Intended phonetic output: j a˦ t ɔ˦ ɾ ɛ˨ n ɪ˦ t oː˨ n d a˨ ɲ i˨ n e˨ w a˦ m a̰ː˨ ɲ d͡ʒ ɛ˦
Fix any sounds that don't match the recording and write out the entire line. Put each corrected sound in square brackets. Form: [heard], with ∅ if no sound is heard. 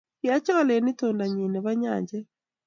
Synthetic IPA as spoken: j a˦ [t͡ʃ] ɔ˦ [l] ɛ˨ n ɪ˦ t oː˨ n d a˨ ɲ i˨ n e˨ [β] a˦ [ɲ] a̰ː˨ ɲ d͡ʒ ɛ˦